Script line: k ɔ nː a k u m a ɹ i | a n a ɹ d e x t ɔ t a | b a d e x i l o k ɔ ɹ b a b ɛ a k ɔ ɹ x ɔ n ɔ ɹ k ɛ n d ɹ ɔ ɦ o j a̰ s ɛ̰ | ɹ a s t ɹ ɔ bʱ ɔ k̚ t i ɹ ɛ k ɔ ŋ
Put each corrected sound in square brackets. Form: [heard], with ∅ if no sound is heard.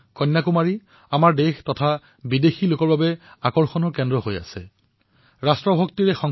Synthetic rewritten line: k ɔ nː a k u m a ɹ i | a [m] a ɹ d e x t ɔ [tʰ] a | b [i] d e x i l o k ɔ ɹ b a b ɛ a k ɔ ɹ x ɔ n ɔ ɹ k ɛ n d ɹ ɔ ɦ o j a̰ s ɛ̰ | ɹ a s t ɹ ɔ bʱ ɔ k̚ t i ɹ ɛ [x] ɔ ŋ

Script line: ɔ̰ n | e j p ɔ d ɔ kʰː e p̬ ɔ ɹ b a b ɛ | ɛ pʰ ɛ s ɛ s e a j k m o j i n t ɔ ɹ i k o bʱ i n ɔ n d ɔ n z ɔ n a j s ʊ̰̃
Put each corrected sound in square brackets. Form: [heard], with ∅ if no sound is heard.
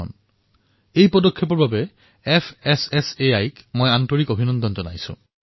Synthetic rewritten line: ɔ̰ n | e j p ɔ d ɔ kʰː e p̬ ɔ ɹ b a b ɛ | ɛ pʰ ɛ s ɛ s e a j k m o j [a] n t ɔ ɹ i k o bʱ i n ɔ n d ɔ n z ɔ n a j s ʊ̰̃

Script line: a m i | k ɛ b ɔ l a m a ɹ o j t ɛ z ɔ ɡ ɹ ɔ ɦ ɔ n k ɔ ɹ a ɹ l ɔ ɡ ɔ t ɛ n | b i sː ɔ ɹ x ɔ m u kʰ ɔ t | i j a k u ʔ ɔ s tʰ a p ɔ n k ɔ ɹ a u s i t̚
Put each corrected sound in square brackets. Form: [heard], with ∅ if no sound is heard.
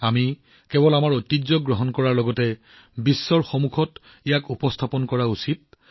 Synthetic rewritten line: a m i | k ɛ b ɔ l a m a ɹ o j t [i] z ɔ ɡ ɹ ɔ ɦ ɔ n k ɔ ɹ a ɹ l ɔ ɡ ɔ t ɛ [∅] | b i sː ɔ ɹ x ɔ m u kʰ ɔ t | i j a k u [p] ɔ s tʰ a p ɔ n k ɔ ɹ a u s i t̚

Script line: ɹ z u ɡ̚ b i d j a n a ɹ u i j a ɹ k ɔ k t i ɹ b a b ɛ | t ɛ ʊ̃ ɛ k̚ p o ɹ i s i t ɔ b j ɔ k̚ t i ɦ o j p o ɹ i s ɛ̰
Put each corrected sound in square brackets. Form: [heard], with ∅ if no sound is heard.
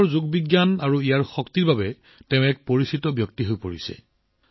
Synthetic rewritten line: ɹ z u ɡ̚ b i [ɡ] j a n a ɹ u i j a ɹ [x] ɔ k t i ɹ b a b ɛ | t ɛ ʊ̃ ɛ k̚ p o ɹ i s i t ɔ b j ɔ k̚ t i ɦ o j p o ɹ i s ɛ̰

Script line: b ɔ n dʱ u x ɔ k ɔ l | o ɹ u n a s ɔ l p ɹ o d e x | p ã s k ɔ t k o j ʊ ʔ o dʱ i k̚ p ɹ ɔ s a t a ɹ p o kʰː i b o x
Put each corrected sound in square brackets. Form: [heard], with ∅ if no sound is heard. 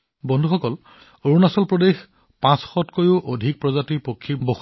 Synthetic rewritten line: b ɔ n dʱ u x ɔ k ɔ l | o ɹ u n a s ɔ l p ɹ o d e x | p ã s [x] ɔ t k o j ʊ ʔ o dʱ i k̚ p ɹ ɔ [z] a t [i] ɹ p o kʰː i b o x

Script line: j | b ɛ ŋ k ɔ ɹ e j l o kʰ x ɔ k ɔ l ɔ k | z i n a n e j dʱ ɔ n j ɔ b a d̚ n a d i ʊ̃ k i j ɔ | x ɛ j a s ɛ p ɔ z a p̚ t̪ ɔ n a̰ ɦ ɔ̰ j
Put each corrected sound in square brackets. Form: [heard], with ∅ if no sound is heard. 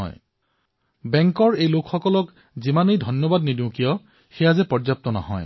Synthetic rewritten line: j | b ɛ ŋ k ɔ ɹ e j l o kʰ x ɔ k ɔ l ɔ k | z i [m] a n e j dʱ ɔ n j ɔ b a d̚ n [i] d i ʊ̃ k i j ɔ | x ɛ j a [z] ɛ p ɔ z a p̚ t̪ ɔ n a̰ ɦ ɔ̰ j

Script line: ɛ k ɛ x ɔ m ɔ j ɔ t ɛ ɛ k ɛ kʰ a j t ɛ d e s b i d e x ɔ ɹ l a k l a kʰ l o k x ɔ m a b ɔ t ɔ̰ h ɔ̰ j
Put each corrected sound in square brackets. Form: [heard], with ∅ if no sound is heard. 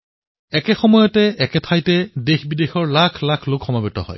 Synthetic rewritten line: ɛ k ɛ x ɔ m ɔ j ɔ t ɛ ɛ k ɛ [tʰ] a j t ɛ d e [x] b i d e x ɔ ɹ l a [kʰ] l a kʰ l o k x ɔ m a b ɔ t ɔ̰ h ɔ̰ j

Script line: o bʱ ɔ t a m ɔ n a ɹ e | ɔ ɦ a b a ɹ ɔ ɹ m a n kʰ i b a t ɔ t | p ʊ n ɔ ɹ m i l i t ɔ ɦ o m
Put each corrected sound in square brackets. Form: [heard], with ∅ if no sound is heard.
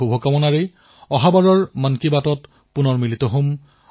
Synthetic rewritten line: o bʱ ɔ [k] a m ɔ n a ɹ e | ɔ ɦ a b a ɹ ɔ ɹ m a n [k] i b a t ɔ t | p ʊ n ɔ ɹ m i l i t ɔ ɦ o m

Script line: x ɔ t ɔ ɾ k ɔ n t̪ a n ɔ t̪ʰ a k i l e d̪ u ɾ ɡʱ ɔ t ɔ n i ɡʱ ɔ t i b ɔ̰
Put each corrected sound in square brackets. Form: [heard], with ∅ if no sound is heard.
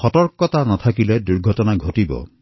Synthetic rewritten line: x ɔ t ɔ ɾ k ɔ [∅] t̪ a n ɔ t̪ʰ a k i l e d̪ u ɾ ɡʱ ɔ t ɔ n [a] ɡʱ [o] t i b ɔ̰

